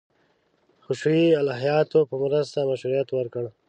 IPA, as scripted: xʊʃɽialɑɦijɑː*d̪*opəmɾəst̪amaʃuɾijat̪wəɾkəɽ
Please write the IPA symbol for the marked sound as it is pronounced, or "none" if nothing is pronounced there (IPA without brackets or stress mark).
t̪